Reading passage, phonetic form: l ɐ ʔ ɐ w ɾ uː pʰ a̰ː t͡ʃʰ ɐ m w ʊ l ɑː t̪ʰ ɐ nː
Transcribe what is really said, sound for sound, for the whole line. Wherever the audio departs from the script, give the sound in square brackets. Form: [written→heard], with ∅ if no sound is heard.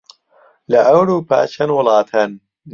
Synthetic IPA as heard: l ɐ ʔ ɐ w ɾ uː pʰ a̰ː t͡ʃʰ ɐ [m→n] w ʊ l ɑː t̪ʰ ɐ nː